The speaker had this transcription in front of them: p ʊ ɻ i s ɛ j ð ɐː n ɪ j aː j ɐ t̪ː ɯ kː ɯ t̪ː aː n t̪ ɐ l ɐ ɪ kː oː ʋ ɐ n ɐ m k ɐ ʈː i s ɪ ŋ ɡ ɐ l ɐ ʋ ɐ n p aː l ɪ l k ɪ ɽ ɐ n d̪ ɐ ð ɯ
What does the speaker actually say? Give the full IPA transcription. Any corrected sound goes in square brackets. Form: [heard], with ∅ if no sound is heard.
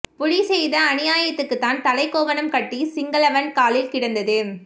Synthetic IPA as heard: p ʊ ɻ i s ɛ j ð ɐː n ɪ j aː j ɐ t̪ː ɯ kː ɯ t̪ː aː n t̪ ɐ l ɐ ɪ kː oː ʋ ɐ n ɐ m k ɐ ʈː i s ɪ ŋ ɡ ɐ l ɐ ʋ ɐ n [k] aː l ɪ l k ɪ ɽ ɐ n d̪ ɐ ð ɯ